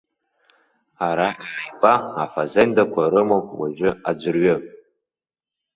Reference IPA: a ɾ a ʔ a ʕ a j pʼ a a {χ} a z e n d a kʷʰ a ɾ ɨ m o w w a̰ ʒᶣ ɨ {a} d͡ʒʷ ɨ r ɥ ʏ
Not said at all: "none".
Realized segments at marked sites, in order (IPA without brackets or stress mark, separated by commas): f, a